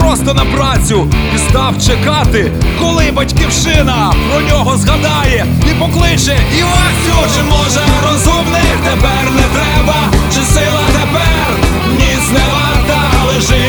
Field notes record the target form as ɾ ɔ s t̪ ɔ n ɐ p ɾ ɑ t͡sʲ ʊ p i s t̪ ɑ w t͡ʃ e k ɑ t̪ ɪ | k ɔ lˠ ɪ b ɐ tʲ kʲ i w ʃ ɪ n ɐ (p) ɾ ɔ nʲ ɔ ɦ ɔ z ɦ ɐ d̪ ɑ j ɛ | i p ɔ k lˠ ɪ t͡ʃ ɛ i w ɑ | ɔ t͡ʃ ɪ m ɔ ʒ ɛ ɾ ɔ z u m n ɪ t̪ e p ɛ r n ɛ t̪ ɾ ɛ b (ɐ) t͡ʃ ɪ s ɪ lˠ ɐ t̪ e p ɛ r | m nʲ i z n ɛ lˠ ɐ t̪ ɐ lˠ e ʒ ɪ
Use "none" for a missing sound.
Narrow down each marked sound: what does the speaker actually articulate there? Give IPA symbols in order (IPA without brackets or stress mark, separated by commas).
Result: p, ɐ